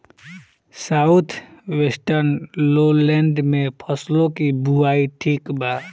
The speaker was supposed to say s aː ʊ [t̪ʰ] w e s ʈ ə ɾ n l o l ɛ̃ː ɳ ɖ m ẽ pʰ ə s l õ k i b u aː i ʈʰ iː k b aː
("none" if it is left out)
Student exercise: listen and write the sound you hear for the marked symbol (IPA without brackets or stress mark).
t̪ʰ